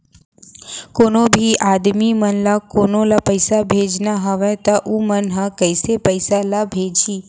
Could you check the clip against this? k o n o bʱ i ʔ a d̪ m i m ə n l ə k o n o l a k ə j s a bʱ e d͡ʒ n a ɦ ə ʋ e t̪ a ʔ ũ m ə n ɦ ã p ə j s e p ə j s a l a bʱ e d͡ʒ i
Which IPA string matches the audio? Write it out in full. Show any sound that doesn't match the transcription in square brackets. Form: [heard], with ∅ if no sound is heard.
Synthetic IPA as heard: k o n o bʱ i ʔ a d̪ m i m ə n l [a] k o n o l a [p] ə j s a bʱ e d͡ʒ n a ɦ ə ʋ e t̪ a ʔ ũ m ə n ɦ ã [k] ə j s e p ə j s a l a bʱ e d͡ʒ i